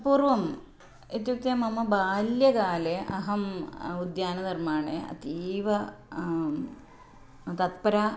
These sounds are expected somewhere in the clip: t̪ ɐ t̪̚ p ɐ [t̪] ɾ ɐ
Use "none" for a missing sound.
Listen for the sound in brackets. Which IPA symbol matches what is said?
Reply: none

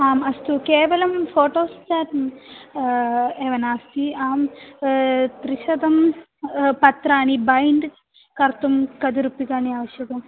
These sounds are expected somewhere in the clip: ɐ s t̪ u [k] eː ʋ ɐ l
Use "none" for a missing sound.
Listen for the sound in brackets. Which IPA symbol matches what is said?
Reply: k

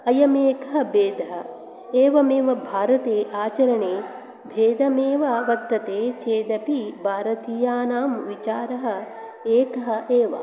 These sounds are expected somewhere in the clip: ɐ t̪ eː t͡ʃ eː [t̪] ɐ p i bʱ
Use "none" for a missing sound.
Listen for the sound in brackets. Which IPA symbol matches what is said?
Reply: d̪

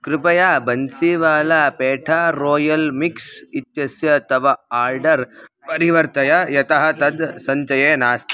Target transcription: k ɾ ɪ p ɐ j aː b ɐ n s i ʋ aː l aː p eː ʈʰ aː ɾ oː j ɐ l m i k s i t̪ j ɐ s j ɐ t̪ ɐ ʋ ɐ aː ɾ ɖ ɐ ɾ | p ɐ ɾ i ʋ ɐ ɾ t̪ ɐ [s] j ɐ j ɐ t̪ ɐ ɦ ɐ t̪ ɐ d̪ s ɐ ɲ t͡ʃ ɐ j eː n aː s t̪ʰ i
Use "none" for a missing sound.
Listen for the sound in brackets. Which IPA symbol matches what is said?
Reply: none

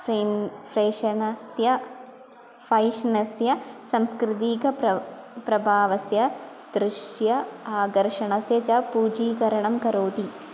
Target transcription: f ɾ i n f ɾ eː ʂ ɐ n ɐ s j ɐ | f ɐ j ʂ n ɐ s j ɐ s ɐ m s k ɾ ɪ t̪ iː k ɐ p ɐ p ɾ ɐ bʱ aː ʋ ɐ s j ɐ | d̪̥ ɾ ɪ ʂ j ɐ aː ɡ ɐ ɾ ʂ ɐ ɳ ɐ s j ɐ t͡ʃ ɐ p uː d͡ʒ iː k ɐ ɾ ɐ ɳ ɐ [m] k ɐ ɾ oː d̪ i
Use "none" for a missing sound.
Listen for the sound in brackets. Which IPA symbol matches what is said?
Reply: m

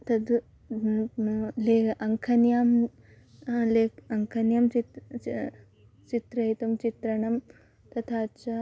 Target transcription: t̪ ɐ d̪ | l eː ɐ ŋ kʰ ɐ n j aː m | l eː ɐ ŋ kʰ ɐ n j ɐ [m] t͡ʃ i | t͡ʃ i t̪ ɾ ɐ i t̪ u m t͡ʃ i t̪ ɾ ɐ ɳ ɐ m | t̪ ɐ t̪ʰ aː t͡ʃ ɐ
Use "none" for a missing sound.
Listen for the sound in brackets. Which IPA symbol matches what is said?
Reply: m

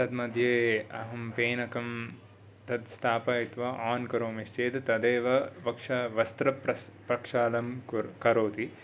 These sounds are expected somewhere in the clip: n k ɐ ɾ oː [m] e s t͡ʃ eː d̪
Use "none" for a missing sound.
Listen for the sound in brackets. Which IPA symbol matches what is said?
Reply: m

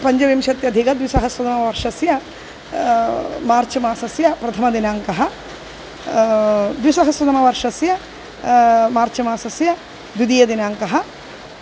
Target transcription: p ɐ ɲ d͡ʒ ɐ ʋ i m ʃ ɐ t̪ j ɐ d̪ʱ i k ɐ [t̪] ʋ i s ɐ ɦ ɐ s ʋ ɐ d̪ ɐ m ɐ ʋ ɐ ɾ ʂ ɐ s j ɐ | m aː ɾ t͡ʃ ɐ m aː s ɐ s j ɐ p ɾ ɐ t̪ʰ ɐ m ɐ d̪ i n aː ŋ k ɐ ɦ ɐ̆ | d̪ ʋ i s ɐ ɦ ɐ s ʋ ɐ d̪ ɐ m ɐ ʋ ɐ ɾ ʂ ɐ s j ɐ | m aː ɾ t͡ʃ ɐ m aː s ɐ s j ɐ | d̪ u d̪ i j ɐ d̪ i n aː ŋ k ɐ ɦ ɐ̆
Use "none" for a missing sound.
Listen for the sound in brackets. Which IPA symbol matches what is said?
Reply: d̪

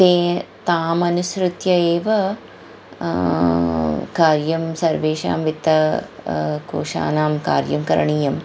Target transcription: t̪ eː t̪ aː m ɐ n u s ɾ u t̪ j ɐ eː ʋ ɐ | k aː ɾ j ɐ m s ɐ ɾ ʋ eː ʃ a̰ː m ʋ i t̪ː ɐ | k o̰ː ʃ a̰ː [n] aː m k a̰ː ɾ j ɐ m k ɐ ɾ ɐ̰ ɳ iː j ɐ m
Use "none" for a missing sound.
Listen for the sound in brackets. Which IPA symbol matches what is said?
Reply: n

